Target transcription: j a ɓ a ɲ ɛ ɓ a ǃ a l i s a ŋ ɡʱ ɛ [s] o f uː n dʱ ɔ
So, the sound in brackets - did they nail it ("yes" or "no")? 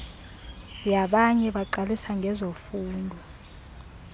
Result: no